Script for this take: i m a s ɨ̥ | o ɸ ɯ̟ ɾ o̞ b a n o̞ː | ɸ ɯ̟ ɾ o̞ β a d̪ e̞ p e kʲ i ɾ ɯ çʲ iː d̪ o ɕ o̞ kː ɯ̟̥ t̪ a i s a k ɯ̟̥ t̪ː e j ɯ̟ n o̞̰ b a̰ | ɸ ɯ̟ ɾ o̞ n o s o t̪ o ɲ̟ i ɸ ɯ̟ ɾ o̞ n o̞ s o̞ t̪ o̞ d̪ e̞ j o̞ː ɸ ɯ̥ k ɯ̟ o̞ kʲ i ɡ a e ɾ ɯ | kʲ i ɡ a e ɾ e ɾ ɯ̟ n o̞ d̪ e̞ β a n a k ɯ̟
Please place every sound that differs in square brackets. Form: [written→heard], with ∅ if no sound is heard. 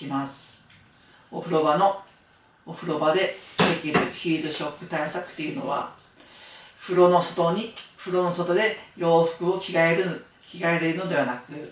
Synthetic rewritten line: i m a s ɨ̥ | o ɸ ɯ̟ ɾ o̞ b a n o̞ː | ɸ ɯ̟ ɾ o̞ [β→b] a d̪ e̞ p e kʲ i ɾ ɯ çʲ iː d̪ o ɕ o̞ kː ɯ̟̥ t̪ a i s a k ɯ̟̥ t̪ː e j ɯ̟ n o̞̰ [b→β] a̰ | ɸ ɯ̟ ɾ o̞ n o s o t̪ o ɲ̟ i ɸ ɯ̟ ɾ o̞ n o̞ s o̞ t̪ o̞ d̪ e̞ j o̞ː ɸ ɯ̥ k ɯ̟ o̞ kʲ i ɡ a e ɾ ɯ | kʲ i ɡ a e ɾ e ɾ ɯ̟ n o̞ d̪ e̞ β a n a k ɯ̟